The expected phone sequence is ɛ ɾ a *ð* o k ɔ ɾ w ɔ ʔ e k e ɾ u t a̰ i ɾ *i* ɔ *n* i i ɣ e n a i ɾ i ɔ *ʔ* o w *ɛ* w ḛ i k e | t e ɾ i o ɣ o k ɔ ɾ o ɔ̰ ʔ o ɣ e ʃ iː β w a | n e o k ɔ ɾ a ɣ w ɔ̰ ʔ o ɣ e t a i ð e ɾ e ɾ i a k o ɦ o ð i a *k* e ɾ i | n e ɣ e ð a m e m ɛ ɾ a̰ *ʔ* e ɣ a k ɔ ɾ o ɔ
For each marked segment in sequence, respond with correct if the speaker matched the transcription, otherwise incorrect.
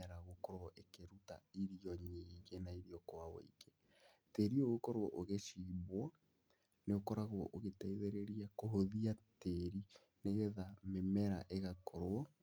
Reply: incorrect: ɣ, correct, incorrect: ɲ, incorrect: k, incorrect: a, incorrect: t, correct

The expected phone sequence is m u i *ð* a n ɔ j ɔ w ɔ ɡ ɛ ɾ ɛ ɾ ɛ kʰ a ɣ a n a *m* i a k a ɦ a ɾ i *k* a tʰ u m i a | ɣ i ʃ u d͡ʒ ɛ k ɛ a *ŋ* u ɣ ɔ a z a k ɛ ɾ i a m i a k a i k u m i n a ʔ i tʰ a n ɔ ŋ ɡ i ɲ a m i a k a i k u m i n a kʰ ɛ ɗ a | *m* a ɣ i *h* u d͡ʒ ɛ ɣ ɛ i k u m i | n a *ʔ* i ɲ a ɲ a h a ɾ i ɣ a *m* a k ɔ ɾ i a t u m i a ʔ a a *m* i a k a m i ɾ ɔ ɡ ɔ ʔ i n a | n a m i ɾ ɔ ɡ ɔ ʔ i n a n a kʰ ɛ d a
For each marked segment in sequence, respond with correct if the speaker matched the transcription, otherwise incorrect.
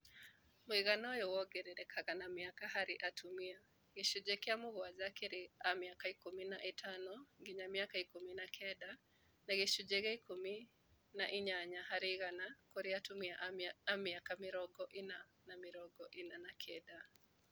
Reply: incorrect: ɣ, correct, incorrect: ʔ, incorrect: m, incorrect: n, incorrect: ʃ, correct, incorrect: n, correct

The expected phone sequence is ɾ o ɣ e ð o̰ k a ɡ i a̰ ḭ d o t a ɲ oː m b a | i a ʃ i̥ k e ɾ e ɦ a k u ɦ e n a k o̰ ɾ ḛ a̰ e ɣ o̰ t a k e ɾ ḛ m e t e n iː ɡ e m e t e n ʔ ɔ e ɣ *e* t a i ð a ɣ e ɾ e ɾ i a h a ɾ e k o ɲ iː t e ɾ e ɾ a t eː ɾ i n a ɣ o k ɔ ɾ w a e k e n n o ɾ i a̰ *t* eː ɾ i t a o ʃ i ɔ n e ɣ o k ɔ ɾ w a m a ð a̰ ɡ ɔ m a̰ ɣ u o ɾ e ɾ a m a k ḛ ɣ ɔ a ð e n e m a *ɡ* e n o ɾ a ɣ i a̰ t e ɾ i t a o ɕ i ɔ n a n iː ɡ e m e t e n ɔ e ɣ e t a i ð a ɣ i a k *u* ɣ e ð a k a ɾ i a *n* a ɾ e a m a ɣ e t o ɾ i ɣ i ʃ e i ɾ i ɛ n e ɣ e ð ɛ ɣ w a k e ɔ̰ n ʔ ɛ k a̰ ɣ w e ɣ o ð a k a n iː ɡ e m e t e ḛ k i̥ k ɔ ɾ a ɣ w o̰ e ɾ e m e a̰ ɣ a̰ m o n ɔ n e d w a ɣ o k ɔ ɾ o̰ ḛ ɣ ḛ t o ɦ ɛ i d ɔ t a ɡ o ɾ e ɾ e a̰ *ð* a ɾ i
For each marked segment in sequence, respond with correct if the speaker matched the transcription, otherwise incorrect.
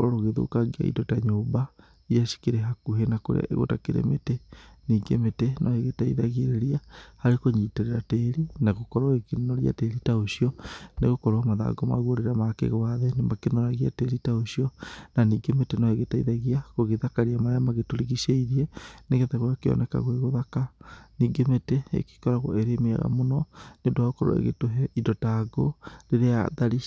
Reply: correct, correct, incorrect: k, incorrect: o, incorrect: m, correct

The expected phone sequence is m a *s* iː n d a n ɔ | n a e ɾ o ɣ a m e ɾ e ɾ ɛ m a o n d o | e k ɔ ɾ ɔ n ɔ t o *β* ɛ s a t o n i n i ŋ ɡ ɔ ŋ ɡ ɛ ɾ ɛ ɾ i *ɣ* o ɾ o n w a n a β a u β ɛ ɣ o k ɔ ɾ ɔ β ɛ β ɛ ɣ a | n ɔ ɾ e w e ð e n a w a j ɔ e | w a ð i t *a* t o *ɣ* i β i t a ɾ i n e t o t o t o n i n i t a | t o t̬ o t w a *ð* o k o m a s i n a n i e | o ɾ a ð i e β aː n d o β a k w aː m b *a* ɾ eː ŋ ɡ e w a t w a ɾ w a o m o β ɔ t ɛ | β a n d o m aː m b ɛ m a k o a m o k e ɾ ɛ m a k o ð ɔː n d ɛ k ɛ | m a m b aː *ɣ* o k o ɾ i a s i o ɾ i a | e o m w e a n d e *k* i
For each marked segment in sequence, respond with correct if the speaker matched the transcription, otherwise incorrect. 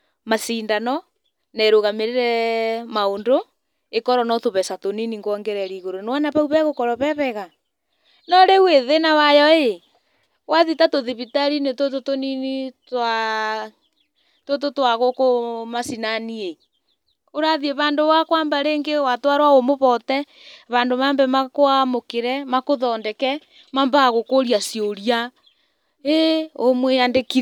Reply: correct, correct, correct, correct, incorrect: ð, incorrect: ɣ, correct, correct, correct

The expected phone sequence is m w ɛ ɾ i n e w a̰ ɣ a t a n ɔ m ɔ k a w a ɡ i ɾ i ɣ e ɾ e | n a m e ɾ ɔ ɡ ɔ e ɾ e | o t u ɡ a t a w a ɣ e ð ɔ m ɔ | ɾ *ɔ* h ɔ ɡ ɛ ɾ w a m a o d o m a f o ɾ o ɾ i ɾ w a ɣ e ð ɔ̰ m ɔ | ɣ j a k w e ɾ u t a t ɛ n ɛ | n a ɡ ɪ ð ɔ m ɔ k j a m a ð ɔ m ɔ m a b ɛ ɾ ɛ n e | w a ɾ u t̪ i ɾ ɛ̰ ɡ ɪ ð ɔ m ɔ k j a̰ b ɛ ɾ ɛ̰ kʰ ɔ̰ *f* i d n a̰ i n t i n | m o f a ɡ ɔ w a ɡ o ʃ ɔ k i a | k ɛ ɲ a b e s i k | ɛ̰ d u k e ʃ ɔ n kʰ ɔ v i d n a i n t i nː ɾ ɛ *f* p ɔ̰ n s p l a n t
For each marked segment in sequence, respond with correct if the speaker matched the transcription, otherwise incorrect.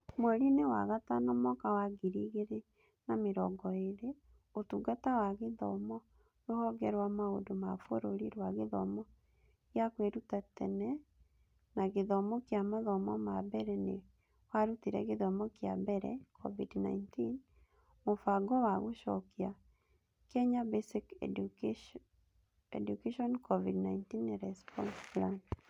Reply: incorrect: o, incorrect: v, incorrect: s

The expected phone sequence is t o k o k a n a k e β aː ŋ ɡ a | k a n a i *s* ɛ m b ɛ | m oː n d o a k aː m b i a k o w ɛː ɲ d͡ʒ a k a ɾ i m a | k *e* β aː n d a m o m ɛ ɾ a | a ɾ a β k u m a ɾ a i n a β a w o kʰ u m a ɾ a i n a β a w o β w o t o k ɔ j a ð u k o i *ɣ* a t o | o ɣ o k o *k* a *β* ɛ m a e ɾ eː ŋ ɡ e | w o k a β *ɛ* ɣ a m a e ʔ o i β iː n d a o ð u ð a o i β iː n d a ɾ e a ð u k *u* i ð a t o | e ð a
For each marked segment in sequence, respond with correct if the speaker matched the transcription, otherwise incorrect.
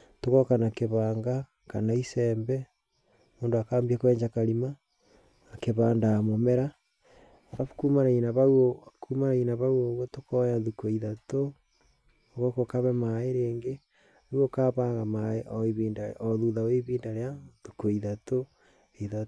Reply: correct, correct, incorrect: ð, correct, correct, incorrect: a, incorrect: o

